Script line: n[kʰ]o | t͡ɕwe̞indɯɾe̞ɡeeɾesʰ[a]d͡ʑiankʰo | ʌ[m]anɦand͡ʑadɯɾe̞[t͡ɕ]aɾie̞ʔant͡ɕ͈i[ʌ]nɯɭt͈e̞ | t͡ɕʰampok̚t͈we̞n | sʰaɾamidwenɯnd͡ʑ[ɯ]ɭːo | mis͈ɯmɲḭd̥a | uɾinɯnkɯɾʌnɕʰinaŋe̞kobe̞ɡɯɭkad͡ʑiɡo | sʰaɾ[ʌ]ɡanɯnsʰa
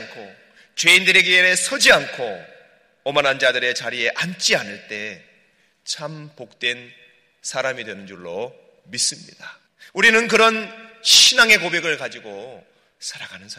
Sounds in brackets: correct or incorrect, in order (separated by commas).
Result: correct, incorrect, correct, correct, incorrect, incorrect, incorrect